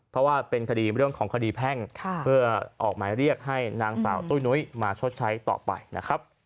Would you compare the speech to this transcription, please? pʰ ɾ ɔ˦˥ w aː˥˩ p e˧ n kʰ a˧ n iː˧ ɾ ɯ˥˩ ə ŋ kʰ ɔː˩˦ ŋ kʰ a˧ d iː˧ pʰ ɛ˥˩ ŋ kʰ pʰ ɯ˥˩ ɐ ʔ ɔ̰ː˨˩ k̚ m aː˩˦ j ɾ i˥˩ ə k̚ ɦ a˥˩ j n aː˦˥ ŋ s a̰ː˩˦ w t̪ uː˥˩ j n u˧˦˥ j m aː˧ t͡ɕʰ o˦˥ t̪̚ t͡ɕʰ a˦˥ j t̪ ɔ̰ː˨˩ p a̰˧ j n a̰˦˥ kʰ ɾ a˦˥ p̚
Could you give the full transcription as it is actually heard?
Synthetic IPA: pʰ ɾ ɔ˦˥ w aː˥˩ p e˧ n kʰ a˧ d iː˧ ɾ ɯ˥˩ ə ŋ kʰ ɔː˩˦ ŋ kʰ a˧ d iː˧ pʰ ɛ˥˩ ŋ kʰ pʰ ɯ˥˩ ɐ ʔ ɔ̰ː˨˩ k̚ m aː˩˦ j ɾ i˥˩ ə k̚ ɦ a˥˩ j n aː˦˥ ŋ s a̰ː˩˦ w t̪ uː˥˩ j n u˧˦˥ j m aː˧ t͡ɕʰ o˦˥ t̪̚ t͡ɕʰ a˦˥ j t̪ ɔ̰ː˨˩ p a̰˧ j n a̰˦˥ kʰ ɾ a˦˥ p̚

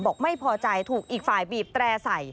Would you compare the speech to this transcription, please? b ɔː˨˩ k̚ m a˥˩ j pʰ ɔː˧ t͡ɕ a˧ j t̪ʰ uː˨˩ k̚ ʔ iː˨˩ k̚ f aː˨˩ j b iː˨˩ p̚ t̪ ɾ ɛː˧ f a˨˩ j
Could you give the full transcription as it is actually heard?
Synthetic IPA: b ɔː˨˩ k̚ m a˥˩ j pʰ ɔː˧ t͡ɕ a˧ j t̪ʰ uː˨˩ k̚ ʔ iː˨˩ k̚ f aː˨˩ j b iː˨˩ p̚ t̪ ɾ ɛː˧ s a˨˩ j

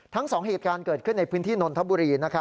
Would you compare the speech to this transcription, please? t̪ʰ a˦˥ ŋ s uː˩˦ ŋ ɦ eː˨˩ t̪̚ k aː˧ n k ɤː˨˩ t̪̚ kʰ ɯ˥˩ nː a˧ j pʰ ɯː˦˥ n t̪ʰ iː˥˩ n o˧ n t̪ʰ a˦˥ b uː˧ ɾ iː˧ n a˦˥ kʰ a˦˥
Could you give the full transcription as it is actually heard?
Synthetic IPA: t̪ʰ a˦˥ ŋ s ɔː˩˦ ŋ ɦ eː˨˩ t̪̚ k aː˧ n k ɤː˨˩ t̪̚ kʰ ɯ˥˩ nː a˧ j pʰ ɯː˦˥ n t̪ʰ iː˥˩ n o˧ n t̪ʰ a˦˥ b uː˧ ɾ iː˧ n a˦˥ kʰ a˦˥

